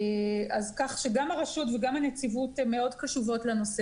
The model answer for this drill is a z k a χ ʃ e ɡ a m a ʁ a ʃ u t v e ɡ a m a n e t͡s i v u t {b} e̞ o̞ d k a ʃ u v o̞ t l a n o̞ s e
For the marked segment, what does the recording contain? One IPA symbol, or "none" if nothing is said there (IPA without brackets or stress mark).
m